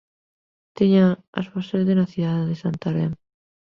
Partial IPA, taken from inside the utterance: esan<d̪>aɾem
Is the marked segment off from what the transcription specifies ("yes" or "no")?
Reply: yes